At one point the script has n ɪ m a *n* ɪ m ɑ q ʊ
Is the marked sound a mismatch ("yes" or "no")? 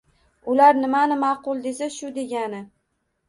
no